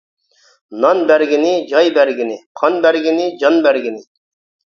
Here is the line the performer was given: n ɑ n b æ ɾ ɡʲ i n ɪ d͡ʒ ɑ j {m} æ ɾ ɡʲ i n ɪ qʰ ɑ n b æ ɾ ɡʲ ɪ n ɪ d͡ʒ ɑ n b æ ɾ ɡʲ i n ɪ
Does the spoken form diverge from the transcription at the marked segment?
yes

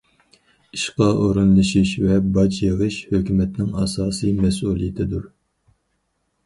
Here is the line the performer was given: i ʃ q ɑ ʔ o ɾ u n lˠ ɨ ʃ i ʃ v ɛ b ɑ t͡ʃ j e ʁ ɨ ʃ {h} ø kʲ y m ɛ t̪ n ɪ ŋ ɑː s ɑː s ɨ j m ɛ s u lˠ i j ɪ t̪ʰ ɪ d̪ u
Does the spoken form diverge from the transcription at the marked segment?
no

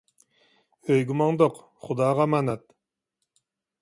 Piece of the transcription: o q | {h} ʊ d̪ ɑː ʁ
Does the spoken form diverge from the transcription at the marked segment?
yes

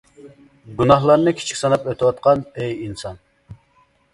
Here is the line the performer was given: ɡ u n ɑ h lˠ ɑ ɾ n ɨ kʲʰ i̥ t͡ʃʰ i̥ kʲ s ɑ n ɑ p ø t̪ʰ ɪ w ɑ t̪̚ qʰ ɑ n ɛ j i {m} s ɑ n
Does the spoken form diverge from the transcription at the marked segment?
yes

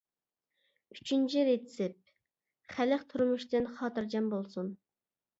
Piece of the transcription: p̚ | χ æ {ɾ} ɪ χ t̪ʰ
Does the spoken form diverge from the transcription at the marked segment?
yes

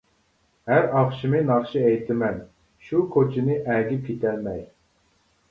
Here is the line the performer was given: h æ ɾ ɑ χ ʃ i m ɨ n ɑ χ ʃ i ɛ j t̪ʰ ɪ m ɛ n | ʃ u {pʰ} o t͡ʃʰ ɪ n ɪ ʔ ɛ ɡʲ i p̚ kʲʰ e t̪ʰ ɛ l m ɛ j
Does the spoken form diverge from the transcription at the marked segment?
yes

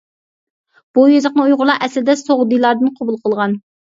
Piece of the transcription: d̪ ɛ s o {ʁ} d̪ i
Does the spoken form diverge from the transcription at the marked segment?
no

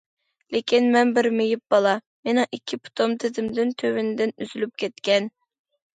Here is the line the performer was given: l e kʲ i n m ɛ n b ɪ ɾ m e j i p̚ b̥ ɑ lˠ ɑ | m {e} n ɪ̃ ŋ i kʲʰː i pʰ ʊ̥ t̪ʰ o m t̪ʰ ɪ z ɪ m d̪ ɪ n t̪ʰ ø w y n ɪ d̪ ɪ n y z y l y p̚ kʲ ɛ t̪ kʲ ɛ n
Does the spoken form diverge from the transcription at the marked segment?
no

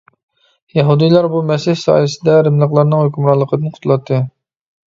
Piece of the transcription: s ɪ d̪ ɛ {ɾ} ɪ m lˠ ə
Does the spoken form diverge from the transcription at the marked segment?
no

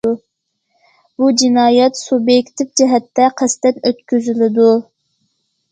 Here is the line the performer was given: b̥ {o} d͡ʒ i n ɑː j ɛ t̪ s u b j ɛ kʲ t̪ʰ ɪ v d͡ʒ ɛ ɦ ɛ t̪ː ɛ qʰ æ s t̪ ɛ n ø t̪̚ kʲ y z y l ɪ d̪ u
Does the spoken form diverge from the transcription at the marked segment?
yes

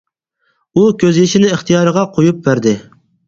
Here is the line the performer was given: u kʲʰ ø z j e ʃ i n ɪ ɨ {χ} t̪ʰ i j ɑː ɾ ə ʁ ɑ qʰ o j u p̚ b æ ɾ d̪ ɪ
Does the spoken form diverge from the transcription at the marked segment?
no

